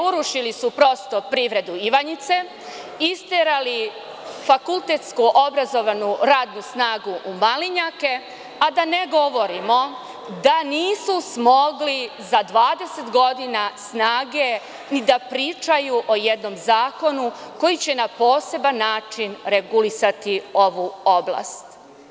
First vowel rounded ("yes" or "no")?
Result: yes